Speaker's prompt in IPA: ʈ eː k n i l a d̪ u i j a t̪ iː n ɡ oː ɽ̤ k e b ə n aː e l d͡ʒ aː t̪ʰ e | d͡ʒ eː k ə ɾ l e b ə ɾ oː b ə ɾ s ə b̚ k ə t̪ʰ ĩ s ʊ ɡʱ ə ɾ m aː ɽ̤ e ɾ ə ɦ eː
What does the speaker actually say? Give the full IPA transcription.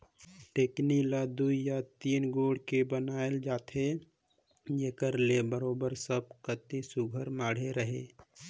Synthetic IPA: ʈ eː k n i l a d̪ u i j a t̪ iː n ɡ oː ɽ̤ k e b ə n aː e l d͡ʒ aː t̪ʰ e | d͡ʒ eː k ə ɾ l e b ə ɾ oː b ə ɾ s ə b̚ k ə t̪ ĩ s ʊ ɡʱ ə ɾ m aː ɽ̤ e ɾ ə ɦ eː